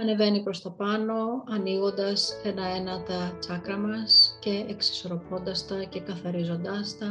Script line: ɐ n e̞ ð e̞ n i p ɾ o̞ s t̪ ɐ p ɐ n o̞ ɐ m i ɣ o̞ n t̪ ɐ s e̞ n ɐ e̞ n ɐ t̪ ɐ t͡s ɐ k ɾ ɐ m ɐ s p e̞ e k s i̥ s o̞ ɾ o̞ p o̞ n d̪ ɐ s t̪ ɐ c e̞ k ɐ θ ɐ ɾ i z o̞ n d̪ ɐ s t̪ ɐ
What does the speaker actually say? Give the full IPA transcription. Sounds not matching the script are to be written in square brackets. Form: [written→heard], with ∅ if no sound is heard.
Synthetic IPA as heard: ɐ n e̞ [ð→v] e̞ n i p ɾ o̞ s t̪ ɐ p ɐ n o̞ ɐ [m→n] i ɣ o̞ n [t̪→d̪] ɐ s e̞ n ɐ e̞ n ɐ t̪ ɐ t͡s ɐ k ɾ ɐ m ɐ s [p→c] e̞ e k s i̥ s o̞ ɾ o̞ p o̞ n d̪ ɐ s t̪ ɐ c e̞ k ɐ θ ɐ ɾ i z o̞ n d̪ ɐ s t̪ ɐ